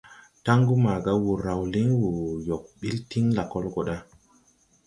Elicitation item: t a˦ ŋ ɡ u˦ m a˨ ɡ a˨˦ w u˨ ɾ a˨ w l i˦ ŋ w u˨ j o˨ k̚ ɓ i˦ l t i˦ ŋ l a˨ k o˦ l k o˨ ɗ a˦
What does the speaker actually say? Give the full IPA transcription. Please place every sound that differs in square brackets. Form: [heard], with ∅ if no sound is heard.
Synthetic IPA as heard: t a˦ ŋ ɡ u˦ m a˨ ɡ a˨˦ w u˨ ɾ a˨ w l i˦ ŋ w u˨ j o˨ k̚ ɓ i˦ l t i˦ ŋ l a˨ k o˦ l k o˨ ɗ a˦